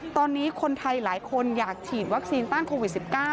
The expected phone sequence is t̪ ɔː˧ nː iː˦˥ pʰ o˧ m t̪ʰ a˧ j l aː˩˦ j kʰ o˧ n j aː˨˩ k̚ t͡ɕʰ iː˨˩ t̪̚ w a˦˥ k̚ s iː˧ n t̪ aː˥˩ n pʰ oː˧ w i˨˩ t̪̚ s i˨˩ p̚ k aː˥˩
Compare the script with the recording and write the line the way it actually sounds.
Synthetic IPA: t̪ ɔː˧ nː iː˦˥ kʰ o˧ n t̪ʰ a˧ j l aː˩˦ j kʰ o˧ n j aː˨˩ k̚ t͡ɕʰ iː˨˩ t̪̚ w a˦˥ k̚ s iː˧ n t̪ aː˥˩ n kʰ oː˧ w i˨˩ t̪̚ s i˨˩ p̚ k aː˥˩

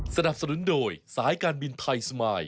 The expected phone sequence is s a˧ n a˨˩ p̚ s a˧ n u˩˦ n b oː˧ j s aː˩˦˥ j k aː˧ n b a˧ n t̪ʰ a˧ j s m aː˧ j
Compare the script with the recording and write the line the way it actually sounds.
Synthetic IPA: s a˧ n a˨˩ p̚ s a˧ n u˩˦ n d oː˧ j s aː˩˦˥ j k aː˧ n b i˧ n t̪ʰ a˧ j s m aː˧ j

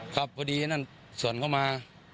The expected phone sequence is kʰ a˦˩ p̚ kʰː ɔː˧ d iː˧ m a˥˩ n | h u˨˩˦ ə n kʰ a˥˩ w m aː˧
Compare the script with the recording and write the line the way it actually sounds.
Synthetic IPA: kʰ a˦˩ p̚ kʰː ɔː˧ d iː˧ n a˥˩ n | s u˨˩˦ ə n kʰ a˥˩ w m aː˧

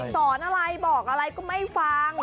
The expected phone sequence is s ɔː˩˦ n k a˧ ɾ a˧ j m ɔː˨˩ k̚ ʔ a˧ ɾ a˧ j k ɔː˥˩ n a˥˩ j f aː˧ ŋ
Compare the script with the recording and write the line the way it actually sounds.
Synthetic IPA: s ɔː˩˦ n ʔ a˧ ɾ a˧ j b ɔː˨˩ k̚ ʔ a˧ ɾ a˧ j k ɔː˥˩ m a˥˩ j f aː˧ ŋ

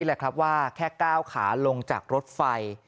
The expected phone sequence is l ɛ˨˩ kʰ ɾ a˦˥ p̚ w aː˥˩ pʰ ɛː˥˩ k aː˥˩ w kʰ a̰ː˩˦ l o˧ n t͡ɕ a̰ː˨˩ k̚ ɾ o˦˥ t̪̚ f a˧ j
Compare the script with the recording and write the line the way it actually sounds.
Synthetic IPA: l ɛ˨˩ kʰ ɾ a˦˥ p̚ w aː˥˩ kʰ ɛː˥˩ k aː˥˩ w kʰ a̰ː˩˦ l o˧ ŋ t͡ɕ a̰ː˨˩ k̚ ɾ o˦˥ t̪̚ f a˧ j

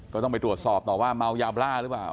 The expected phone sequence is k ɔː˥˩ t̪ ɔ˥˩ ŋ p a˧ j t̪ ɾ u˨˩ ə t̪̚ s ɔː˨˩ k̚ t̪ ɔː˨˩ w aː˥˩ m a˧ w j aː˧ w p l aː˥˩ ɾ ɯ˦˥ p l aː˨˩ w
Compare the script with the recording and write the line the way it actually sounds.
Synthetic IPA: k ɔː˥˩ t̪ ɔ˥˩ ŋ p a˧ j t̪ ɾ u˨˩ ə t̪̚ s ɔː˨˩ p̚ t̪ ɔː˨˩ w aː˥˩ m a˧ w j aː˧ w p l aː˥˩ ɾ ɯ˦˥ p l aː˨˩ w

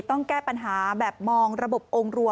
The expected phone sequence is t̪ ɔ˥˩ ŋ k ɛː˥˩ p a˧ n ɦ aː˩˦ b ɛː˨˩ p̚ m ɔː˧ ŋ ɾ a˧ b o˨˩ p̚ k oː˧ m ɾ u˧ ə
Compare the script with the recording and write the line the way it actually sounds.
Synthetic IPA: t̪ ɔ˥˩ ŋ k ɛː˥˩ p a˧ n ɦ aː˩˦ b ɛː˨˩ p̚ m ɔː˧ ŋ ɾ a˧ b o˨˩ p̚ ʔ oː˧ ŋ ɾ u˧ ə

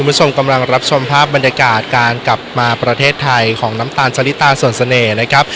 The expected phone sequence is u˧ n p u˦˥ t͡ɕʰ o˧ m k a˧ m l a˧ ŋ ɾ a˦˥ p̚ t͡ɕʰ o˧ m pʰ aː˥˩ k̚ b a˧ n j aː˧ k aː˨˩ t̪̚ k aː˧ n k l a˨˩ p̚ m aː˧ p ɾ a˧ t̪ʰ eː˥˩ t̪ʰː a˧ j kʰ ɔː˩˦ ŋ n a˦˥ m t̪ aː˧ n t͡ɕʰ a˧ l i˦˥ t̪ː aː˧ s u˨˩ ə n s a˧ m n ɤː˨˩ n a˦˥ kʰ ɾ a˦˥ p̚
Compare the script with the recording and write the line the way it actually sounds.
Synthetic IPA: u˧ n b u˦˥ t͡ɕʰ o˧ m k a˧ m l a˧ ŋ ɾ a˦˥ p̚ t͡ɕʰ o˧ m pʰ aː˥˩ p̚ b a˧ n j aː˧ k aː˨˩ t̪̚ k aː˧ n k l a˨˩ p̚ m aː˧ p ɾ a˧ t̪ʰ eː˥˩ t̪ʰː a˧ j kʰ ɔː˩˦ ŋ n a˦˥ m t̪ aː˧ n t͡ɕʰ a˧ l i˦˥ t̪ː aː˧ s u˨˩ ə n s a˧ n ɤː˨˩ n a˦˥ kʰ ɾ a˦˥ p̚

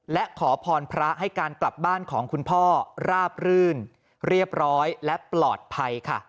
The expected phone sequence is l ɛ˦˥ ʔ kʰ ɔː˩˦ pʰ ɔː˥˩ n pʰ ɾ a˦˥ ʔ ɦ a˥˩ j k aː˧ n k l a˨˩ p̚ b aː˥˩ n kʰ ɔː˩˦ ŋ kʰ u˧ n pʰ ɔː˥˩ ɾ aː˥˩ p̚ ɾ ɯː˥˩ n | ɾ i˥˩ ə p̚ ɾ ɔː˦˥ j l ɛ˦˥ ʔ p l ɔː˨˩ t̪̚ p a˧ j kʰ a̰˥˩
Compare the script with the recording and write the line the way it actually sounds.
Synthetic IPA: l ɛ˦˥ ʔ kʰ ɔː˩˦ pʰ ɔː˧ n pʰ ɾ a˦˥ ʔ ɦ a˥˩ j k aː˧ n k l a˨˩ p̚ b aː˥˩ n kʰ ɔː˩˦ ŋ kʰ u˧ n pʰ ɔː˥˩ ɾ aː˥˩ p̚ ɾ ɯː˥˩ n | ɾ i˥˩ ə p̚ ɾ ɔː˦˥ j l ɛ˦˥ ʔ p l ɔː˨˩ t̪̚ pʰ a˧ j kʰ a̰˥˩

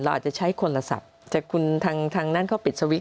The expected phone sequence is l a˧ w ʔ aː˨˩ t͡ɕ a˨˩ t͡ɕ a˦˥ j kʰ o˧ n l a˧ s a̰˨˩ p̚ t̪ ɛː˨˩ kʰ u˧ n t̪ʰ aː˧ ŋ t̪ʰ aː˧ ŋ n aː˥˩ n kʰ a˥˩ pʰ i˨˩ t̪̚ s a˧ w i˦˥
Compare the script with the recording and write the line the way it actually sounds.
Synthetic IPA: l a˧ w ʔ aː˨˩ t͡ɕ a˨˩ t͡ɕʰ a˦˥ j kʰ o˧ n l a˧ s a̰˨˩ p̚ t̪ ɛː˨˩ kʰ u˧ n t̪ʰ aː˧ ŋ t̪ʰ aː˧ ŋ n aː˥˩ n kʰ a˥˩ p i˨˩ t̪̚ s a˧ w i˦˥

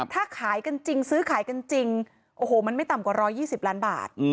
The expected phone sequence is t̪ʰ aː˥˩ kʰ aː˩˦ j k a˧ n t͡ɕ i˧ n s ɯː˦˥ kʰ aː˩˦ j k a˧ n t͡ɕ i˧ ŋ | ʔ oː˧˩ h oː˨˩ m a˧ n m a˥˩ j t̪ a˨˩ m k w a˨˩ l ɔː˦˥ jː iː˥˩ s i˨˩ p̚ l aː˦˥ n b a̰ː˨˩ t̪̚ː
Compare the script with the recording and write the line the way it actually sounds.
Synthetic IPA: t̪ʰ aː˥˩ kʰ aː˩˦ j k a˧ n t͡ɕ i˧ ŋ s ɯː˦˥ kʰ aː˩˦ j k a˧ n t͡ɕ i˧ ŋ | ʔ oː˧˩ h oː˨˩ m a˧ n m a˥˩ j t̪ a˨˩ m k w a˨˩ ɾ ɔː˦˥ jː iː˥˩ s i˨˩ p̚ l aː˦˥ n b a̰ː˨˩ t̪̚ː

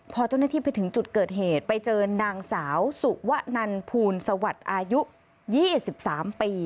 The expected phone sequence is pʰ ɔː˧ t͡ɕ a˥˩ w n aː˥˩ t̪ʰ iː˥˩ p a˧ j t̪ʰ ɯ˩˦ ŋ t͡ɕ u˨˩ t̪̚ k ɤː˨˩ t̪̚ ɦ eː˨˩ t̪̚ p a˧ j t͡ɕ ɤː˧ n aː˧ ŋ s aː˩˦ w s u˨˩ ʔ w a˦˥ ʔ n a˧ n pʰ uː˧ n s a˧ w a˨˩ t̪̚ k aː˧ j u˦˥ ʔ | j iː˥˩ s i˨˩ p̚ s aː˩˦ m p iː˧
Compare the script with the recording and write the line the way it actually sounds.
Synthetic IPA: pʰ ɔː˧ t͡ɕ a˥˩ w n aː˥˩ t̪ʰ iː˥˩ p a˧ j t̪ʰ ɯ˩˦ ŋ t͡ɕ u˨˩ t̪̚ k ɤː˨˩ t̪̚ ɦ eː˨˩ t̪̚ p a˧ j t͡ɕ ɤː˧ n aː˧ ŋ s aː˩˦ w s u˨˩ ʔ w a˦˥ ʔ n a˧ n pʰ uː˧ n s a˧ w a˨˩ t̪̚ ʔ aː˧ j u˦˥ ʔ | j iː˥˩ s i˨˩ p̚ s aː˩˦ m p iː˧

